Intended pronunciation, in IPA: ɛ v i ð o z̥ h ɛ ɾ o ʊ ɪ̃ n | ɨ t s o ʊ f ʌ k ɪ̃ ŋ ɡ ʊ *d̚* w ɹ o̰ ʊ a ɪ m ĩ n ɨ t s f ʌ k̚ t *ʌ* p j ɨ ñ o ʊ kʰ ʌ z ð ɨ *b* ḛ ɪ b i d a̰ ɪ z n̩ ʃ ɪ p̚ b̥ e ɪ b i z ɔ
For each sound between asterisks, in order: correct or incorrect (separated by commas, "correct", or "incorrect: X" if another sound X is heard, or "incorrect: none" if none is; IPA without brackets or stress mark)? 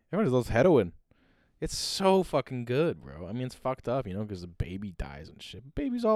correct, correct, correct